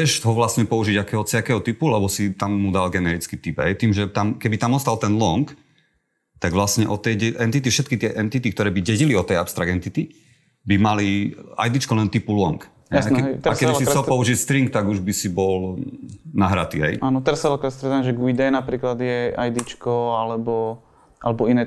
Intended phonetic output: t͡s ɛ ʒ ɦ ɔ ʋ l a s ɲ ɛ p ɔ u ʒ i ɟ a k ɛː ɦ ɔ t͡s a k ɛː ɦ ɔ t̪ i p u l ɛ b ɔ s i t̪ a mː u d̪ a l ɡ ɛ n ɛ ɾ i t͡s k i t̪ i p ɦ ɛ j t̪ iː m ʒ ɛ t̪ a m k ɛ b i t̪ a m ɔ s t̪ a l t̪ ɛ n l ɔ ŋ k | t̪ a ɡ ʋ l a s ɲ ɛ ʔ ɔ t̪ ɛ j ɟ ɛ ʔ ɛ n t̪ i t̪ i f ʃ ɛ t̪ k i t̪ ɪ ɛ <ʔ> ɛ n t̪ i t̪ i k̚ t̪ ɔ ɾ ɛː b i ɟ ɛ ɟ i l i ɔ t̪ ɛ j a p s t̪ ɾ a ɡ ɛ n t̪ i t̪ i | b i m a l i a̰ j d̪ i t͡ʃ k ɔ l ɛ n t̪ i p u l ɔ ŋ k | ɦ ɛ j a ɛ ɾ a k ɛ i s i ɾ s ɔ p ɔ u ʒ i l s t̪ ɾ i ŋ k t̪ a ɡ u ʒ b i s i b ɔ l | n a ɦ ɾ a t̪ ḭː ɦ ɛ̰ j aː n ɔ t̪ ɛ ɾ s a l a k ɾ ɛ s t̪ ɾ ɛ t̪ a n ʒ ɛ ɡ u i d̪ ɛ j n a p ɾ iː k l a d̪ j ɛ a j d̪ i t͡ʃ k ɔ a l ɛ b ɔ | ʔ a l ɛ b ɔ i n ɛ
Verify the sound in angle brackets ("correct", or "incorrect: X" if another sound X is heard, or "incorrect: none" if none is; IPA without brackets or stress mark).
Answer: correct